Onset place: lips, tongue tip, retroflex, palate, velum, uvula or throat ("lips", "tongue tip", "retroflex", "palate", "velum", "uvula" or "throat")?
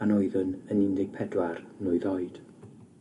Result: tongue tip